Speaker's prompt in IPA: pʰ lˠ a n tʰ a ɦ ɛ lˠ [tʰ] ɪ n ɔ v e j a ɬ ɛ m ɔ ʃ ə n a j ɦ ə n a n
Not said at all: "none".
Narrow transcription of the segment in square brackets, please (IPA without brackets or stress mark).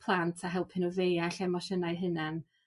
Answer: pʰ